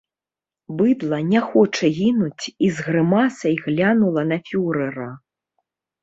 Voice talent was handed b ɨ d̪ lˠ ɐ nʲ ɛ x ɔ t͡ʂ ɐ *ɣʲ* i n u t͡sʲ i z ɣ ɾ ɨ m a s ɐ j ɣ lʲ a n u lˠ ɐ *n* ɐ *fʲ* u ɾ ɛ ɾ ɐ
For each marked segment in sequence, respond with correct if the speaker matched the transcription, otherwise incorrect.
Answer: correct, correct, correct

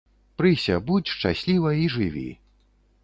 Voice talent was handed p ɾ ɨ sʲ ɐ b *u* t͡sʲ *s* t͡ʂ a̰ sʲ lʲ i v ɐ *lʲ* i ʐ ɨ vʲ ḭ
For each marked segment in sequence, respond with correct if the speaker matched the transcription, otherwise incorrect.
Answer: correct, incorrect, incorrect

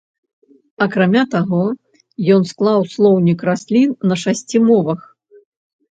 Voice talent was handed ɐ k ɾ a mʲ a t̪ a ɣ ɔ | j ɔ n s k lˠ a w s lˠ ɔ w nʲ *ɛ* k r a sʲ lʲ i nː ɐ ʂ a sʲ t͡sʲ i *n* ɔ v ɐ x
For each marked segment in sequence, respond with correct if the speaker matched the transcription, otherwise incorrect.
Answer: incorrect, incorrect

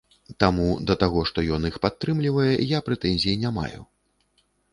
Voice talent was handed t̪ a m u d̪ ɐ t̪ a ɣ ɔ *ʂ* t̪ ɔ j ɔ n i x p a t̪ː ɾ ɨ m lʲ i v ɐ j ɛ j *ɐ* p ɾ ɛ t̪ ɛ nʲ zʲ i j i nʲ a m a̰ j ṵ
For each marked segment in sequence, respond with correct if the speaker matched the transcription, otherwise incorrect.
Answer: correct, incorrect

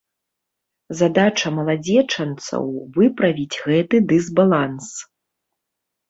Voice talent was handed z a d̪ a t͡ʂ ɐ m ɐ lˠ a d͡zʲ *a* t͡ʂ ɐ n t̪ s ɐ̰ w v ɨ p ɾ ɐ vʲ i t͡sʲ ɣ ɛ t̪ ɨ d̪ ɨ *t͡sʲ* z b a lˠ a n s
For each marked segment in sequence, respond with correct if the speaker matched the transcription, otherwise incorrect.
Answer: incorrect, incorrect

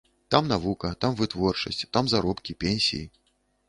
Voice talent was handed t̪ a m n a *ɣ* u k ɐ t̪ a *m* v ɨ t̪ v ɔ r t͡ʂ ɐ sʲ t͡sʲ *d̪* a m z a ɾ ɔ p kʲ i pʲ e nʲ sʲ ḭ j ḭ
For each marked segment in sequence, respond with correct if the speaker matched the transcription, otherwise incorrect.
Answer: incorrect, correct, incorrect

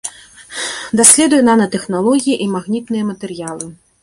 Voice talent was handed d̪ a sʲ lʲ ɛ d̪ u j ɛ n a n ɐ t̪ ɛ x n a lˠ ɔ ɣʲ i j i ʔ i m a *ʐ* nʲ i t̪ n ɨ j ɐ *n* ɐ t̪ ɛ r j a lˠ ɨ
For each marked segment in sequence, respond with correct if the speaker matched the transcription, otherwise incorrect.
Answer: incorrect, incorrect

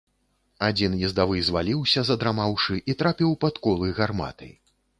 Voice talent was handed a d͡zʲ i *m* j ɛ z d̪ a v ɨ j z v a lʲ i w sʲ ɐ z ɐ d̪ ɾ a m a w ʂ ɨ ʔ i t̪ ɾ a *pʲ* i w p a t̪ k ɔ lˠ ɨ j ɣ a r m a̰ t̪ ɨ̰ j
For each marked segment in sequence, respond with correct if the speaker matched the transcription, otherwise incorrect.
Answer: incorrect, correct

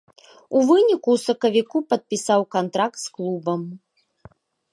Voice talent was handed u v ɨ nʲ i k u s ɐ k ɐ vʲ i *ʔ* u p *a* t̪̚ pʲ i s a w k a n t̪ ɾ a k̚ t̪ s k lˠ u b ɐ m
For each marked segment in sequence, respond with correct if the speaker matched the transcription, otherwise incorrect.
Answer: incorrect, incorrect

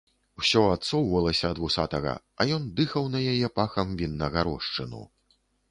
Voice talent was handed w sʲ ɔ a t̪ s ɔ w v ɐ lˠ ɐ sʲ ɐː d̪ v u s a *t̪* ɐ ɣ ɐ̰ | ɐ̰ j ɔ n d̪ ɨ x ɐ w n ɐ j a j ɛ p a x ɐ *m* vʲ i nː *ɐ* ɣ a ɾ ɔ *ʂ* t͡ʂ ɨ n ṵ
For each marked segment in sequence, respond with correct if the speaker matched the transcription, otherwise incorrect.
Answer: correct, correct, correct, correct

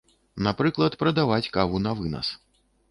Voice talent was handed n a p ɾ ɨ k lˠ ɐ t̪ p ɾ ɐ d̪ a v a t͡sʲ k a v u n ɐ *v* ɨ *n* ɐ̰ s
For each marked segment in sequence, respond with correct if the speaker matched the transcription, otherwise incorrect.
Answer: correct, correct

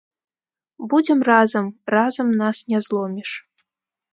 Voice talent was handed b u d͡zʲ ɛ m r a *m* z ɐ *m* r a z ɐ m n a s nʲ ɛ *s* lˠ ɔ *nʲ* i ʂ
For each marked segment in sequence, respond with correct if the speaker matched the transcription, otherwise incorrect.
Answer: incorrect, correct, incorrect, incorrect

